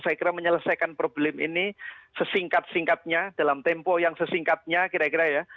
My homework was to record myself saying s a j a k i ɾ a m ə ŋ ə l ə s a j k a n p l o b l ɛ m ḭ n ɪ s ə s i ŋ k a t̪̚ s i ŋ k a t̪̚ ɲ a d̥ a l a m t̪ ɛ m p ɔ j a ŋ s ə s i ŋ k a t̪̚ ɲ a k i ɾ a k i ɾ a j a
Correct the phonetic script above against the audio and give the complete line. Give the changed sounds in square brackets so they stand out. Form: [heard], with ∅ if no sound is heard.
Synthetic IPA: s a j a k i ɾ a m ə [ɲ] ə l ə s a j k a n p [ɾ] o b l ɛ m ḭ n [i] s ə s i ŋ k a t̪̚ s i ŋ k a t̪̚ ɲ a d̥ a l a m t̪ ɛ m p ɔ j a ŋ s ə s i ŋ k a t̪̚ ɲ a k i ɾ a k i ɾ a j a

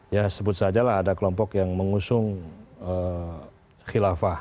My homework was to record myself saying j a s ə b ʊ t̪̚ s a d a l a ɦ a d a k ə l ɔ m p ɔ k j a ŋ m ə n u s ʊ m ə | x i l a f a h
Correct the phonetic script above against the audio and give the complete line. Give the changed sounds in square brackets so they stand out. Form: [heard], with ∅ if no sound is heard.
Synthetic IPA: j a s ə b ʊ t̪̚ s a [d͡ʒ] a l a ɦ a d a k ə l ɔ m p ɔ k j a ŋ m ə [ŋ] u s ʊ [ŋ] ə | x i l a f a h

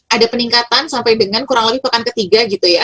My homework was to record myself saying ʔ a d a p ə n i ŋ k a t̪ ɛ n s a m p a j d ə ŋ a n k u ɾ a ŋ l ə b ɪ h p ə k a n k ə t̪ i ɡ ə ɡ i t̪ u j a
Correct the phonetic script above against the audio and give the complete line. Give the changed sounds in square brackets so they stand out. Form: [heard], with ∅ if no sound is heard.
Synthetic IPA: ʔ a d a p ə n i ŋ k a t̪ [a] n s a m p a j d ə ŋ a n k u ɾ a ŋ l ə b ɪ h p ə k a n k ə t̪ i ɡ [a] ɡ i t̪ u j a

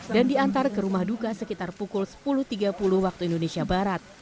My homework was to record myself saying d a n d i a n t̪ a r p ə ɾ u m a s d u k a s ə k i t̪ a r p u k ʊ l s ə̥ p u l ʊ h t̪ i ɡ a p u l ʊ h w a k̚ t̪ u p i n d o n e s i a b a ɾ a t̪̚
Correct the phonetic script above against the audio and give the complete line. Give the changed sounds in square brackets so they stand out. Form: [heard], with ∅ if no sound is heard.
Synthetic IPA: d a n d i a n t̪ a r [k] ə ɾ u m a [h] d u k a s ə k i t̪ a r p u k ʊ l s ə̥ p u l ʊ h t̪ i ɡ a p u l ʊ h w a k̚ t̪ u [∅] i n d o n e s i a b a ɾ a t̪̚

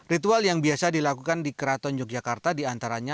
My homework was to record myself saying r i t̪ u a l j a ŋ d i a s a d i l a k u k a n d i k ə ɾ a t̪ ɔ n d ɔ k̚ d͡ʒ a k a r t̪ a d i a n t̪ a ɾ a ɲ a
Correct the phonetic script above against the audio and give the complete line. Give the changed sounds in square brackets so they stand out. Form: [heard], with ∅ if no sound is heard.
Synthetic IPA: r i t̪ u a l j a ŋ [b] i a s a d i l a k u k a n d i k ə ɾ a t̪ ɔ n [d͡ʒ] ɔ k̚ d͡ʒ a k a r t̪ a d i a n t̪ a ɾ a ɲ a

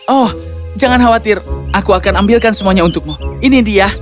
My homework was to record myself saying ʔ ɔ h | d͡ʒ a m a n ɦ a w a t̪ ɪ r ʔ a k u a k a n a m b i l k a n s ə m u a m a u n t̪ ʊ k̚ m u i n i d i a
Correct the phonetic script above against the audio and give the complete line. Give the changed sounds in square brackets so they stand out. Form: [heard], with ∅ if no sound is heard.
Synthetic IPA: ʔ ɔ h | d͡ʒ a [ŋ] a n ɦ a w a t̪ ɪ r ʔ a k u a k a n a m b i l k a n s ə m u a [ɲ] a u n t̪ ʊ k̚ m u i n i d i a

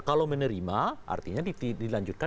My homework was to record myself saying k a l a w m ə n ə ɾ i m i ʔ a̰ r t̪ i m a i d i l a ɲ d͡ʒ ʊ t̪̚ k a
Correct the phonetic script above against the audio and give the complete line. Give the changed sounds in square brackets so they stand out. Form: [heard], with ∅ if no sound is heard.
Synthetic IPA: k a l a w m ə n ə ɾ i m [a] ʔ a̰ r t̪ i [ɲ] a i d i l a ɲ d͡ʒ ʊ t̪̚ k a

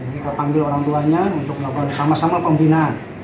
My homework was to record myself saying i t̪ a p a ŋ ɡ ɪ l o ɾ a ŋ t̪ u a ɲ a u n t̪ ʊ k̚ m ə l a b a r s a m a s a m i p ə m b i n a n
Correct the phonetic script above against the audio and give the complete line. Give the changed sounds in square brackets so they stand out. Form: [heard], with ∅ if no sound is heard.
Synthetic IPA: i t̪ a p a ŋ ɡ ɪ l o ɾ a ŋ t̪ u a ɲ a u n t̪ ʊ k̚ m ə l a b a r s a m a s a m [a] p ə m b i n a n

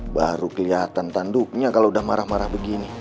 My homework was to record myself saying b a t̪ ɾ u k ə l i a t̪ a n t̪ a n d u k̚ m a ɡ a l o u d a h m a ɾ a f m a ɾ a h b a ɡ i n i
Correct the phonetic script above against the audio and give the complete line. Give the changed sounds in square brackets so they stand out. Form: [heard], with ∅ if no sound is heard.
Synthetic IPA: b a [∅] ɾ u k ə l i a t̪ a n t̪ a n d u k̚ [ɲ] a [k] a l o u d a h m a ɾ a [h] m a ɾ a h b [ə] ɡ i n i

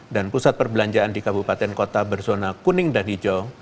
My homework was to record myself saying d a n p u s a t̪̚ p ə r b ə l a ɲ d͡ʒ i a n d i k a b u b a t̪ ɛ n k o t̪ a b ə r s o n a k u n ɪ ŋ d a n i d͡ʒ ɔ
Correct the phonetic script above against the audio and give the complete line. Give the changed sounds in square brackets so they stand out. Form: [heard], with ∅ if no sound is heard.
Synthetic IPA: d a n p u s a t̪̚ p ə r b ə l a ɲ d͡ʒ [a] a n d i k a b u [p] a t̪ ɛ n k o t̪ a b ə r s o n a k u n ɪ ŋ d a n i d͡ʒ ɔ

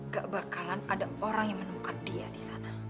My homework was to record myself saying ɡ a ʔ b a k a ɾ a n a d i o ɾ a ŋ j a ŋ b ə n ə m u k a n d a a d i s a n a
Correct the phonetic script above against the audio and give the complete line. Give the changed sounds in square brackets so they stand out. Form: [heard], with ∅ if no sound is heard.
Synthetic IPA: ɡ a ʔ b a k a [l] a n a d [a] o ɾ a ŋ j a ŋ [m] ə n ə m u k a n d [i] a d i s a n a

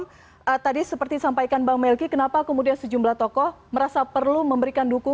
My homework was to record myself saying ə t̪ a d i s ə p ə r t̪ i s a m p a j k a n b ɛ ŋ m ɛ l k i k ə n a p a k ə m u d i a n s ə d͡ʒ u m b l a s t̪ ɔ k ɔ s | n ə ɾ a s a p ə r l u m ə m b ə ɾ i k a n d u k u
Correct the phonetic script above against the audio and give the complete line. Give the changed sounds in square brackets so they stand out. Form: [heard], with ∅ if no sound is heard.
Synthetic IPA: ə t̪ a d i s ə p ə r t̪ i s a m p a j k a n b [a] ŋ m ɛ l k i k ə n a p a k ə m u d i a n s ə d͡ʒ u m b l a [h] t̪ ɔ k ɔ [h] | [m] ə ɾ a s a p ə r l u m ə m b ə ɾ i k a n d u k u

